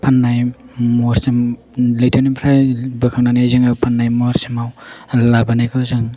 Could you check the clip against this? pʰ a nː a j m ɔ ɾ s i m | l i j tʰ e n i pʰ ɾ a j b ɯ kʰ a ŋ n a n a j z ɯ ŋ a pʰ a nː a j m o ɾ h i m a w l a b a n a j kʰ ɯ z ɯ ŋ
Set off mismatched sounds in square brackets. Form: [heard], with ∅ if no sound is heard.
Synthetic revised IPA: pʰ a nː a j m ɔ ɾ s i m | l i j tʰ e n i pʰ ɾ a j b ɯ kʰ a ŋ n a n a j z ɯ ŋ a pʰ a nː a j m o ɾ [s] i m a w l a b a n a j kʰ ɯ z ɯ ŋ

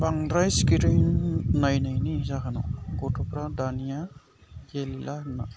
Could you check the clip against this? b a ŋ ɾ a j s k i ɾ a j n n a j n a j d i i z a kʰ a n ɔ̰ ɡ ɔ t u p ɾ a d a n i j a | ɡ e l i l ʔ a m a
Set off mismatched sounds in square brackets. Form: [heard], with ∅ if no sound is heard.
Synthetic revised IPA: b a ŋ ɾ a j s k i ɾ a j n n a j n a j [n] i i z a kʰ a n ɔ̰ ɡ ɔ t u p ɾ a d a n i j a | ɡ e l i l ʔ a [n] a

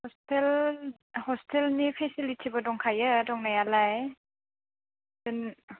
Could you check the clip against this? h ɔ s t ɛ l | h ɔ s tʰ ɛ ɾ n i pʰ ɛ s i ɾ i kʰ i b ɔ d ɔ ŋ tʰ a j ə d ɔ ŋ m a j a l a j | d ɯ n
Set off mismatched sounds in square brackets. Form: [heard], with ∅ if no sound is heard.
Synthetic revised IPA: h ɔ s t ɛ l | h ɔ s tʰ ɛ [l] n i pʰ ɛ s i [l] i [tʰ] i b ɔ d ɔ ŋ [kʰ] a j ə d ɔ ŋ [n] a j a l a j | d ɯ n

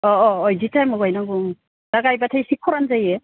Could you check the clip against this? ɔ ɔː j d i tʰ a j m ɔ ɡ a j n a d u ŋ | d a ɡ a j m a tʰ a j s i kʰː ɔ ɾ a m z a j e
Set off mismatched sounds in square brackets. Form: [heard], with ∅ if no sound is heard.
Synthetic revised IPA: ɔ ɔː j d i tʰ a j m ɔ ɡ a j n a [ɡ] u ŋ | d a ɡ a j [b] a tʰ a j s i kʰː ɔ ɾ a [n] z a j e

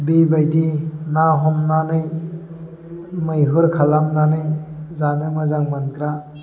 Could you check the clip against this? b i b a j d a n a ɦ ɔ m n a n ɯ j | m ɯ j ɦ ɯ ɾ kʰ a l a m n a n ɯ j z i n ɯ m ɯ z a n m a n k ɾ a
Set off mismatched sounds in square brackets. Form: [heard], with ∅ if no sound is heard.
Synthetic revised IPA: b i b a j d [i] n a ɦ ɔ m n a n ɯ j | m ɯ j ɦ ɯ ɾ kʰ a l a m n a n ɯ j z [a] n ɯ m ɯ z a [ŋ] m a n k ɾ a

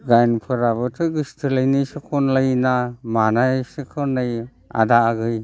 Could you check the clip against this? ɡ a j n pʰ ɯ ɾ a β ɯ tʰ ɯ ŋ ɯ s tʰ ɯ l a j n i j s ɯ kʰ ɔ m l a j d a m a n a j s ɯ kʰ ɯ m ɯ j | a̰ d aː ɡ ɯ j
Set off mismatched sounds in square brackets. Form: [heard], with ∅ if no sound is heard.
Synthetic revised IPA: ɡ a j n pʰ ɯ ɾ a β ɯ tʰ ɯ [ɡ] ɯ s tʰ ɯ l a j n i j s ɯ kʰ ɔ [n] l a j [n] a m a n a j s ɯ kʰ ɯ [n] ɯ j | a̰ d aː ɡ ɯ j

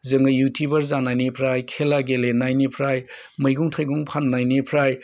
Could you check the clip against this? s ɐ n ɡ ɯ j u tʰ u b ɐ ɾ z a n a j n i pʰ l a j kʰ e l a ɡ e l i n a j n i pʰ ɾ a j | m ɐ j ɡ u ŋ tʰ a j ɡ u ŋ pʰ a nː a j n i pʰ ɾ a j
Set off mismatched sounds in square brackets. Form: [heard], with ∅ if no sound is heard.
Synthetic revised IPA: [z] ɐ [ŋ] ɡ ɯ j u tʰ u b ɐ ɾ z a n a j n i pʰ [ɾ] a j kʰ e l a ɡ e l [e] n a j n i pʰ ɾ a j | m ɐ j ɡ u ŋ tʰ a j ɡ u ŋ pʰ a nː a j n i pʰ ɾ a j

